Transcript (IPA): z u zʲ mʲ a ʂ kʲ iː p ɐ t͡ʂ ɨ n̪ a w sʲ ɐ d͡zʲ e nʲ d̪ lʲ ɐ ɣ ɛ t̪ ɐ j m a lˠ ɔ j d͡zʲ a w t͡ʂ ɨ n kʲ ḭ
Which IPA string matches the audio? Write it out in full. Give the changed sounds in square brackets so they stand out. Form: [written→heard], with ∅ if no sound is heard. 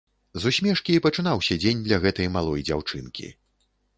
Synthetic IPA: z u [zʲ→sʲ] mʲ [a→ɛ] ʂ kʲ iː p ɐ t͡ʂ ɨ n̪ a w sʲ ɐ d͡zʲ e nʲ d̪ lʲ ɐ ɣ ɛ t̪ ɐ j m a lˠ ɔ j d͡zʲ a w t͡ʂ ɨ n kʲ ḭ